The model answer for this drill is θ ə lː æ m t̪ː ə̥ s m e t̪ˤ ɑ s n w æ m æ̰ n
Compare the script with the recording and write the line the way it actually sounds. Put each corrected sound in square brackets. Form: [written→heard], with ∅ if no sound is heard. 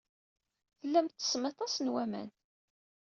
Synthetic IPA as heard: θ ə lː æ m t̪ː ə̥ s m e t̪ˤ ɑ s n w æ m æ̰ n